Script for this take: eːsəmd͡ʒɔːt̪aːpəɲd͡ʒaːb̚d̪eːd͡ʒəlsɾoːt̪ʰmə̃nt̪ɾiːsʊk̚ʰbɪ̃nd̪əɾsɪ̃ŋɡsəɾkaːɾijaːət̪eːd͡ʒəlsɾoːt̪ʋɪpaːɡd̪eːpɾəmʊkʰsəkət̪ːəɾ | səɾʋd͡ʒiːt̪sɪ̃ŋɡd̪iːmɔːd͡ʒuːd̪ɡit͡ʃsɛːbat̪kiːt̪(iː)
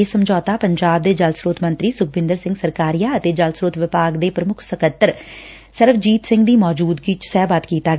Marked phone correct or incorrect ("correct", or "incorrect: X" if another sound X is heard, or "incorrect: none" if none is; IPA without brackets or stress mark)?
incorrect: aː